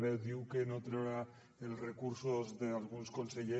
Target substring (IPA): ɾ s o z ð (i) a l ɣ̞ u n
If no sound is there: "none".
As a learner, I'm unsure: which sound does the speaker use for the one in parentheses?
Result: e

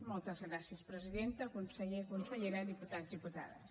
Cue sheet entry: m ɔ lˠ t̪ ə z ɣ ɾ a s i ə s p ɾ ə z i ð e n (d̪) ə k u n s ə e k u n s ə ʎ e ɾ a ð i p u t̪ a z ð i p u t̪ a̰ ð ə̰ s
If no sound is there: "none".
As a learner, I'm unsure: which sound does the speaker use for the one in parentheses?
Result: t̪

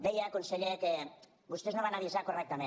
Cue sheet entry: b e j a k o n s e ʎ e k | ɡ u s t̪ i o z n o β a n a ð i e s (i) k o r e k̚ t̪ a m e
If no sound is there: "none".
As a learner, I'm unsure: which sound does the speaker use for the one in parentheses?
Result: a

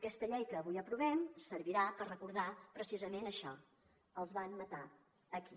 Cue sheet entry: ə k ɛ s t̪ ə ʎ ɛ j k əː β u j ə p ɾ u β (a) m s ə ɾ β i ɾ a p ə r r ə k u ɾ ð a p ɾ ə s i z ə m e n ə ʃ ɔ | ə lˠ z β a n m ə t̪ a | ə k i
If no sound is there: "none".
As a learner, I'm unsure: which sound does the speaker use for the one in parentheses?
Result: ɛ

